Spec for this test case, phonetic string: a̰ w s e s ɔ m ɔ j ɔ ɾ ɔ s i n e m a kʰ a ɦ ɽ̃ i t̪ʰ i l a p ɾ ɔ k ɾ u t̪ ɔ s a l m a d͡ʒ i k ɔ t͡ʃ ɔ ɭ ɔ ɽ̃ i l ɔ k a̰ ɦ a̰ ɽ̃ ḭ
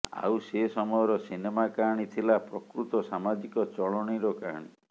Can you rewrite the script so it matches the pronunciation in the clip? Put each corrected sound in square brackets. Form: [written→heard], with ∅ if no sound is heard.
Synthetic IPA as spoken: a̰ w s e s ɔ m ɔ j ɔ ɾ ɔ s i n e m a [kʰ→k] a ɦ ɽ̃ i t̪ʰ i l a p ɾ ɔ k ɾ u t̪ ɔ s a [l→∅] m a d͡ʒ i k ɔ t͡ʃ ɔ ɭ ɔ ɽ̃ i [l→ɾ] ɔ k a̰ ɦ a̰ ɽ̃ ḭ